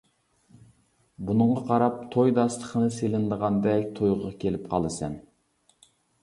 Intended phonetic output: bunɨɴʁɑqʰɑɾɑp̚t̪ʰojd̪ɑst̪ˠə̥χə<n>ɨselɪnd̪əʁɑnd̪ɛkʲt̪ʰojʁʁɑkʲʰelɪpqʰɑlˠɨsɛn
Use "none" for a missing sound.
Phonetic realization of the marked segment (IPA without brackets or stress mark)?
n